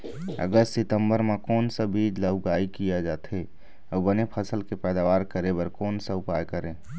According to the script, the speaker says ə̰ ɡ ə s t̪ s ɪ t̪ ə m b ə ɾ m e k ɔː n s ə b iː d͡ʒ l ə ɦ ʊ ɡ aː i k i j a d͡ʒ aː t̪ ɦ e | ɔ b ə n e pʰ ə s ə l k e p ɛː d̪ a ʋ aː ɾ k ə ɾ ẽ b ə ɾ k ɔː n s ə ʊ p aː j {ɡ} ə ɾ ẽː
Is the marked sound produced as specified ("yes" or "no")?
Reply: no